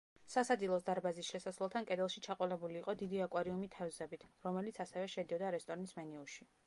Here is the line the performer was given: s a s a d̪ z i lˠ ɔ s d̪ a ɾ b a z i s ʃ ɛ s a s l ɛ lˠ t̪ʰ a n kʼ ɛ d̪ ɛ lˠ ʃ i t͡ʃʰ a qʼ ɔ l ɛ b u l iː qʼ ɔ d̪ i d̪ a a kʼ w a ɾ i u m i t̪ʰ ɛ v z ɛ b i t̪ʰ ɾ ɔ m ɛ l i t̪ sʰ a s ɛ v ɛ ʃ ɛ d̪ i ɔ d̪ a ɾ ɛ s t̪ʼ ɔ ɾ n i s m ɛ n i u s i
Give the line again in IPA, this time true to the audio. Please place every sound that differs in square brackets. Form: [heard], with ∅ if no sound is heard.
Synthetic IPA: s a s a d̪ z i lˠ ɔ s d̪ a ɾ b a z i s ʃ ɛ s a s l ɛ lˠ t̪ʰ a n kʼ ɛ d̪ ɛ lˠ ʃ i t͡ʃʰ a qʼ ɔ l ɛ b u l iː qʼ ɔ d̪ i d̪ [i] a kʼ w a ɾ i u m i t̪ʰ ɛ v z ɛ b i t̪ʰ ɾ ɔ m ɛ l i t̪ sʰ a s ɛ v ɛ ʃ ɛ d̪ i ɔ d̪ a ɾ ɛ s t̪ʼ ɔ ɾ n i s m ɛ n i u [ʃ] i

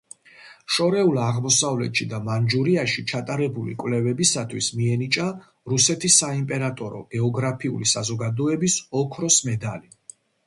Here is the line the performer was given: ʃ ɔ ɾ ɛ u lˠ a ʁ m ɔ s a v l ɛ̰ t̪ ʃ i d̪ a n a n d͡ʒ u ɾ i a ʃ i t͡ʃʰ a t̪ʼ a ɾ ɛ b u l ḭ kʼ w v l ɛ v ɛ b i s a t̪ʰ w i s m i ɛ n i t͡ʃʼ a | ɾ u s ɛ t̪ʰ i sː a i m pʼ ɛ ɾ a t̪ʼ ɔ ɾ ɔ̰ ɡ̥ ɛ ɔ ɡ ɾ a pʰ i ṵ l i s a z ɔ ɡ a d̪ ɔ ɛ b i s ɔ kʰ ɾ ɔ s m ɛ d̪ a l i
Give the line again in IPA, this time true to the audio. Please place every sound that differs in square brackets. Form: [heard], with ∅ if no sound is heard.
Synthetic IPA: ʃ ɔ ɾ ɛ u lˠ a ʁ m ɔ s a v l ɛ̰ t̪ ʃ i d̪ a [m] a n d͡ʒ u ɾ i a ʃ i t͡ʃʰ a t̪ʼ a ɾ ɛ b u l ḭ kʼ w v l ɛ v ɛ b i s a t̪ʰ w i s m i ɛ n i t͡ʃʼ a | ɾ u s ɛ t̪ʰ i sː a i m pʼ ɛ ɾ a t̪ʼ ɔ ɾ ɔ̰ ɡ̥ ɛ ɔ ɡ ɾ a pʰ i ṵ l i s a z ɔ ɡ a d̪ ɔ ɛ b i s ɔ kʰ ɾ ɔ s m ɛ d̪ a l i

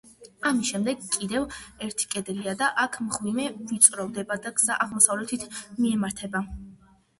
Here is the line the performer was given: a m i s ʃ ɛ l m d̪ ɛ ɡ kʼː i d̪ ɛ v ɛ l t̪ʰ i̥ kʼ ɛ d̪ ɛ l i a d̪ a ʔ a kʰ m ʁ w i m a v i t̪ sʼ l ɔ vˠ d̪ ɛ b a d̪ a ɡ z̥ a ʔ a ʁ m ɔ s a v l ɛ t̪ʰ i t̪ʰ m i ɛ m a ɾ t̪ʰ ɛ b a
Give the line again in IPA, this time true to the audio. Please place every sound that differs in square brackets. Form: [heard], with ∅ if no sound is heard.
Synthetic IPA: a m i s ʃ ɛ [∅] m d̪ ɛ ɡ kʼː i d̪ ɛ v ɛ [ɾ] t̪ʰ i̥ kʼ ɛ d̪ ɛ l i a d̪ a ʔ a kʰ m ʁ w i m [ɛ] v i t̪ sʼ [ɾ] ɔ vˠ d̪ ɛ b a d̪ a ɡ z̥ a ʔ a ʁ m ɔ s a v l ɛ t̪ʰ i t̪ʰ m i ɛ m a ɾ t̪ʰ ɛ b a

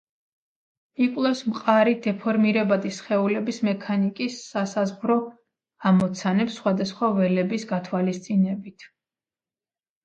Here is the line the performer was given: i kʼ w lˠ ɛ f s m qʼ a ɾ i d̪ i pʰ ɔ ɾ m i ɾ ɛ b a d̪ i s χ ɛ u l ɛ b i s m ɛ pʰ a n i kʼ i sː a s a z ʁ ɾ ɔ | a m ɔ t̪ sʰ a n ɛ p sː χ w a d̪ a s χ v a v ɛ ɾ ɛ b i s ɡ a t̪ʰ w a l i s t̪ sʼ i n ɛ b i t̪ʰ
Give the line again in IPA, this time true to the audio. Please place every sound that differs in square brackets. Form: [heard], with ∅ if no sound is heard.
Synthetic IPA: i kʼ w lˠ ɛ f s m qʼ a ɾ i d̪ [ɛ] pʰ ɔ ɾ m i ɾ ɛ b a d̪ i s χ ɛ u l ɛ b i s m ɛ [kʰ] a n i kʼ i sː a s a z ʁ ɾ ɔ | a m ɔ t̪ sʰ a n ɛ p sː χ w a d̪ a s χ [w] a v ɛ [l] ɛ b i s ɡ a t̪ʰ w a l i s t̪ sʼ i n ɛ b i t̪ʰ

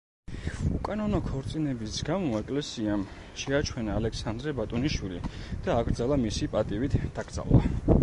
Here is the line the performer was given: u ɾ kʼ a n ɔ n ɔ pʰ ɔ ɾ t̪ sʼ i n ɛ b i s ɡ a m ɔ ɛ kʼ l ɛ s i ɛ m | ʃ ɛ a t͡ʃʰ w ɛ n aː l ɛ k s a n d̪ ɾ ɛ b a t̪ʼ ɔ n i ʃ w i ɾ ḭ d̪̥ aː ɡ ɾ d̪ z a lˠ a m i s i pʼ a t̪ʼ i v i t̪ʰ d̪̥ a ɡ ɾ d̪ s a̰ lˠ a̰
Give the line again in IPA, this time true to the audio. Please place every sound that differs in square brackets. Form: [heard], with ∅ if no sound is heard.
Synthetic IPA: u [∅] kʼ a n ɔ n ɔ [kʰ] ɔ ɾ t̪ sʼ i n ɛ b i s ɡ a m ɔ ɛ kʼ l ɛ s i [a] m | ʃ ɛ a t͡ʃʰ w ɛ n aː l ɛ k s a n d̪ ɾ ɛ b a t̪ʼ ɔ n i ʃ w i [l] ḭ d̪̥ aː ɡ ɾ d̪ z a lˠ a m i s i pʼ a t̪ʼ i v i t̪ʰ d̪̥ a ɡ ɾ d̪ [z] a̰ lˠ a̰

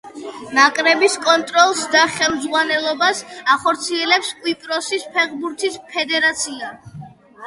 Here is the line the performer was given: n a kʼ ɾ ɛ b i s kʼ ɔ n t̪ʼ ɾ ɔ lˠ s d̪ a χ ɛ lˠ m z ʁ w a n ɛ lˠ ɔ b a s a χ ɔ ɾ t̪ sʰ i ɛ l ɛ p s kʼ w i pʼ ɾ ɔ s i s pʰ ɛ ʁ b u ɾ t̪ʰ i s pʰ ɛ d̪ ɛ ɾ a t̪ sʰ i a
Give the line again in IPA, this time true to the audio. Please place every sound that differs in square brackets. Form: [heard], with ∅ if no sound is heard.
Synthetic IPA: n a kʼ ɾ ɛ b i s kʼ ɔ n t̪ʼ ɾ ɔ lˠ s d̪ a χ ɛ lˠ m z ʁ w a n ɛ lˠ ɔ b a s a χ ɔ ɾ t̪ sʰ i ɛ l ɛ p s kʼ w i pʼ ɾ ɔ s i s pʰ ɛ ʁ b u ɾ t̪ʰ i s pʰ ɛ d̪ ɛ ɾ a t̪ sʰ i a

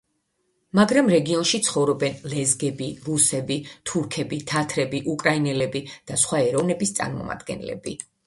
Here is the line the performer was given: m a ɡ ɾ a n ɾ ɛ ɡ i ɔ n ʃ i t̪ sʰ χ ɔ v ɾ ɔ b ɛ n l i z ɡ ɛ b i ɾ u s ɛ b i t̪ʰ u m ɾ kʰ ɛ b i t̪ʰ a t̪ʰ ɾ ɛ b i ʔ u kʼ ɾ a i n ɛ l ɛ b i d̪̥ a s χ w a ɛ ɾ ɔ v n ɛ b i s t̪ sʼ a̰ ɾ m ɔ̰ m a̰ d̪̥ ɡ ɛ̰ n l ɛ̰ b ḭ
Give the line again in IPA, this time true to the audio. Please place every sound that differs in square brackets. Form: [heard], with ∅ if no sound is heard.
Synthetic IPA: m a ɡ ɾ a [m] ɾ ɛ ɡ i ɔ n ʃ i t̪ sʰ χ ɔ v ɾ ɔ b ɛ n l [ɛ] z ɡ ɛ b i ɾ u s ɛ b i t̪ʰ u [∅] ɾ kʰ ɛ b i t̪ʰ a t̪ʰ ɾ ɛ b i ʔ u kʼ ɾ a i n ɛ l ɛ b i d̪̥ a s χ w a ɛ ɾ ɔ v n ɛ b i s t̪ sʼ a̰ ɾ m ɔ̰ m a̰ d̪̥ ɡ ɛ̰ n l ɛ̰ b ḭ

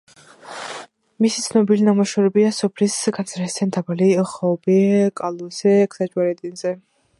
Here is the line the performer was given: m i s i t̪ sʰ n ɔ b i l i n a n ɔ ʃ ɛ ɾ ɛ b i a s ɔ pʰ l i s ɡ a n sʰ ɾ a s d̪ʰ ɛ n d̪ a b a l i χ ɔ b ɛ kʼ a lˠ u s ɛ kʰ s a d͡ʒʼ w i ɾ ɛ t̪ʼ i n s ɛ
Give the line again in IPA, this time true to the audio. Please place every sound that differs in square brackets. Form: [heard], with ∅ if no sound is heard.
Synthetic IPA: m i s i t̪ sʰ n ɔ b i l i n a [m] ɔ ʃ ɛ ɾ ɛ b i a s ɔ pʰ l i s ɡ a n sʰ ɾ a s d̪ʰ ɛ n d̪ a b a l i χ ɔ b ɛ kʼ a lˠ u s ɛ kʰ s a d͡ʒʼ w [a] ɾ ɛ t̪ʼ i n [z] ɛ

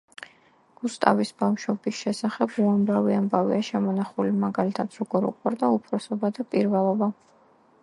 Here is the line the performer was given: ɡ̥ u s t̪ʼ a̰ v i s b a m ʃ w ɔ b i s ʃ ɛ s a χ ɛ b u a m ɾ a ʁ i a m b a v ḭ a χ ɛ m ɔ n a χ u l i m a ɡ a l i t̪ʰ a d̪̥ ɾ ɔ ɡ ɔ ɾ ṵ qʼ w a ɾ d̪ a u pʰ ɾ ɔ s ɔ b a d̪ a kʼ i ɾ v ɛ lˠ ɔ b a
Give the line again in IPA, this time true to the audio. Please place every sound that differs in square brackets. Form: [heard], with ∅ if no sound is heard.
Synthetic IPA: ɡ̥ u s t̪ʼ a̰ v i s b a m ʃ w ɔ b i s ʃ ɛ s a χ ɛ b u a m ɾ a [v] i a m b a v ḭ a [ʃ] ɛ m ɔ n a χ u l i m a ɡ a l i t̪ʰ a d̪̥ ɾ ɔ ɡ ɔ ɾ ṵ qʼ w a ɾ d̪ a u pʰ ɾ ɔ s ɔ b a d̪ a [pʼ] i ɾ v ɛ lˠ ɔ b a

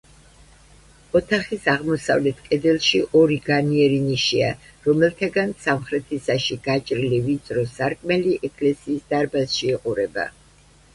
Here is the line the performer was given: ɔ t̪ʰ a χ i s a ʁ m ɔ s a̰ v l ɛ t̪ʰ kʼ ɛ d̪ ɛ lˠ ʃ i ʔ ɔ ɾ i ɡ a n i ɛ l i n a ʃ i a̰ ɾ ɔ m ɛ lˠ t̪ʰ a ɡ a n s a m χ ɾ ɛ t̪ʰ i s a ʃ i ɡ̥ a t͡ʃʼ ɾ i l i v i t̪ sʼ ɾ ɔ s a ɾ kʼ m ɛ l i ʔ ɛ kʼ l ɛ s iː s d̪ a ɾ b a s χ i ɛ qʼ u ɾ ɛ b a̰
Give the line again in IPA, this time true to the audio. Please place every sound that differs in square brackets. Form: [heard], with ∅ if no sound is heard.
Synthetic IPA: ɔ t̪ʰ a χ i s a ʁ m ɔ s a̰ v l ɛ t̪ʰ kʼ ɛ d̪ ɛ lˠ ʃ i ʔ ɔ ɾ i ɡ a n i ɛ [ɾ] i n [i] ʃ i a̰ ɾ ɔ m ɛ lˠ t̪ʰ a ɡ a n s a m χ ɾ ɛ t̪ʰ i s a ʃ i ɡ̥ a t͡ʃʼ ɾ i l i v i t̪ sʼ ɾ ɔ s a ɾ kʼ m ɛ l i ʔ ɛ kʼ l ɛ s iː s d̪ a ɾ b a s [ʃ] i ɛ qʼ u ɾ ɛ b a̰

